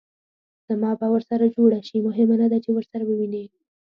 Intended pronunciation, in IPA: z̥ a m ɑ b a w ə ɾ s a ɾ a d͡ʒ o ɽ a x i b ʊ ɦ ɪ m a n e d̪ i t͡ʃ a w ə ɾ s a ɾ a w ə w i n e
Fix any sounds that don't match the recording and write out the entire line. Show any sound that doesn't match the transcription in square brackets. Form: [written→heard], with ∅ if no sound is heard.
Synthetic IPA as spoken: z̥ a m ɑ b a w ə ɾ s a ɾ a d͡ʒ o ɽ a [x→ʃ] i [b→m] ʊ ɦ ɪ m a n [e→a] d̪ [i→a] t͡ʃ [a→e] w ə ɾ s a ɾ a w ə w i n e

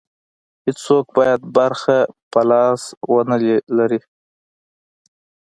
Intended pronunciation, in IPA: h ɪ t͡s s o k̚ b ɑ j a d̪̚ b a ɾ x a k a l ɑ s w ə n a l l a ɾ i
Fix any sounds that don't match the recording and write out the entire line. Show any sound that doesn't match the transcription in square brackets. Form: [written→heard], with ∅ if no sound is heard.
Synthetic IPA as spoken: h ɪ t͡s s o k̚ b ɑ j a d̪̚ b a ɾ x a [k→p] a l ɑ s w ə n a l l a ɾ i

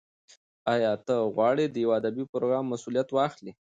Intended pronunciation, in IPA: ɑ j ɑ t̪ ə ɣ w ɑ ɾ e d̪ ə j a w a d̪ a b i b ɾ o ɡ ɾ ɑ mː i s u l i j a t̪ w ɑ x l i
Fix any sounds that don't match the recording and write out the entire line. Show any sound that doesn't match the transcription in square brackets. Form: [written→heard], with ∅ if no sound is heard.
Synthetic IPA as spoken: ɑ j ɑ t̪ ə ɣ w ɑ [ɾ→ɽ] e d̪ ə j a w a d̪ a b i [b→p] ɾ o ɡ ɾ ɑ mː [i→a] s u l i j a t̪ w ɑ x l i

